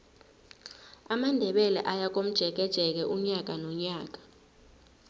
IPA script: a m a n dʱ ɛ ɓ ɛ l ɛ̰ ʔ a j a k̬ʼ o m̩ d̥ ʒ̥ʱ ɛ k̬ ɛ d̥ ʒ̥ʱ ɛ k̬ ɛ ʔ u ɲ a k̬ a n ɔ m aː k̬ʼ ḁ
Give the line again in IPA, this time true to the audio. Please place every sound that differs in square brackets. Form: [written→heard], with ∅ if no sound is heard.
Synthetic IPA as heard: a m a n dʱ ɛ ɓ ɛ l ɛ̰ ʔ a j a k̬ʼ o m̩ d̥ ʒ̥ʱ ɛ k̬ ɛ d̥ ʒ̥ʱ ɛ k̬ ɛ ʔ u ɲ a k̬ a n ɔ [m→ɲ] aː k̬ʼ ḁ